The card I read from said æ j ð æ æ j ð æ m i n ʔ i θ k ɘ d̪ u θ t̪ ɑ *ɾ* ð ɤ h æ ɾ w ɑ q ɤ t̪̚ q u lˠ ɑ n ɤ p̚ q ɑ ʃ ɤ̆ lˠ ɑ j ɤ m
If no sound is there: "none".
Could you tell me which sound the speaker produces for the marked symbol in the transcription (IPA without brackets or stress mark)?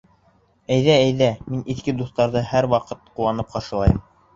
ɾ